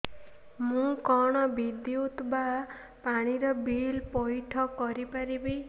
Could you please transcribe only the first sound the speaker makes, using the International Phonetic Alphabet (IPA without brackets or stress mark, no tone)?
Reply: m